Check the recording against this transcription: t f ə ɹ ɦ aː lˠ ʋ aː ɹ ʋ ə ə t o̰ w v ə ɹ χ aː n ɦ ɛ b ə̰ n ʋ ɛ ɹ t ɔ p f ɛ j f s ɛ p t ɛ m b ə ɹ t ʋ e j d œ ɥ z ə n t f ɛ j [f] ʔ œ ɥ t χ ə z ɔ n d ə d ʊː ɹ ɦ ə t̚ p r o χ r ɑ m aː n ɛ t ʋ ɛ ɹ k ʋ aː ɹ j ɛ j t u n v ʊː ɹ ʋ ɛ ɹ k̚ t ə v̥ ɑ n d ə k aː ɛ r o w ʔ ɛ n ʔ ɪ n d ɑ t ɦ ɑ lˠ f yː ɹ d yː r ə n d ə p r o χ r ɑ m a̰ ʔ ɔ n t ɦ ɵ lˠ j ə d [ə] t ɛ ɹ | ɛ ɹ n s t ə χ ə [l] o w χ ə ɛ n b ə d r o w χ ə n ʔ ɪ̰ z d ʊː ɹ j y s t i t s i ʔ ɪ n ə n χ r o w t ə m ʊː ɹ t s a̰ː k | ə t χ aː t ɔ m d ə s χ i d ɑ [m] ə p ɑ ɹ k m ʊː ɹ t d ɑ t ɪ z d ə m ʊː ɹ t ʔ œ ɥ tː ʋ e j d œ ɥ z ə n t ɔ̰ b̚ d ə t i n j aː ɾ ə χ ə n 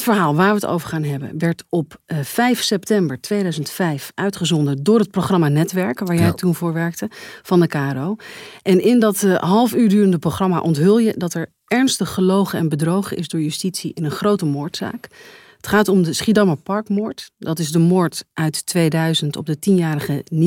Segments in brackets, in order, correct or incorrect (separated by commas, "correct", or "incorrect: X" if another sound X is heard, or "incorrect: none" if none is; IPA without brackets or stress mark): correct, incorrect: ɑ, correct, correct